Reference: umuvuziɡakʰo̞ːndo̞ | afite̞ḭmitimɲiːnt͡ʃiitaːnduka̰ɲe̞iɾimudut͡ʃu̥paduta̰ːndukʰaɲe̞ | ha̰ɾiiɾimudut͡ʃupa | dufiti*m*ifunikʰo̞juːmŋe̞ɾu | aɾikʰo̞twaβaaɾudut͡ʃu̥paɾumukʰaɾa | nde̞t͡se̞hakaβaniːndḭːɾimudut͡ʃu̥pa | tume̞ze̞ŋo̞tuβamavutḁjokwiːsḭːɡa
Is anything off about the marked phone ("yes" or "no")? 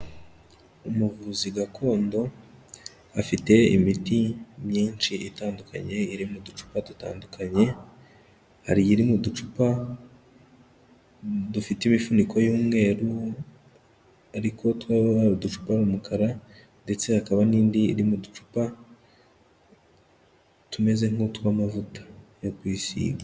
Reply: no